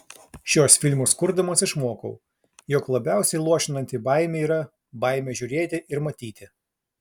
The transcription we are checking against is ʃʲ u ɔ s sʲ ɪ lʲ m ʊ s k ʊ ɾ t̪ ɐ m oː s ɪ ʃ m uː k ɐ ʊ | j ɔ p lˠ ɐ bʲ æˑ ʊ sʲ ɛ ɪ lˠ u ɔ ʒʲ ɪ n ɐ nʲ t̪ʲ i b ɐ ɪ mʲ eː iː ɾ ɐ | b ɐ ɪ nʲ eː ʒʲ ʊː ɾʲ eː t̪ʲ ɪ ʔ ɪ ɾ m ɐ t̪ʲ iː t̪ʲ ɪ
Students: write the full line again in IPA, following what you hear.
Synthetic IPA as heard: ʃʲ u ɔ s fʲ ɪ lʲ m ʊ s k ʊ ɾ d̪ ɐ m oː s ɪ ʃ m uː k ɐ ʊ | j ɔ k lˠ ɐ bʲ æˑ ʊ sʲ ɛ ɪ lˠ u ɔ ʃʲ ɪ n ɐ nʲ t̪ʲ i b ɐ ɪ mʲ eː iː ɾ ɐ | b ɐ ɪ mʲ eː ʒʲ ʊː ɾʲ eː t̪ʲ ɪ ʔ ɪ ɾ m ɐ t̪ʲ iː t̪ʲ ɪ